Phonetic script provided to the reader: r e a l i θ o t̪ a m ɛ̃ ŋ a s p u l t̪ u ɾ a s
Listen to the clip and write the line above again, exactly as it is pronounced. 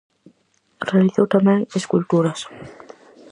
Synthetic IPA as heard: r e a l i θ o t̪ a m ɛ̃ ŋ e s k u l t̪ u ɾ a s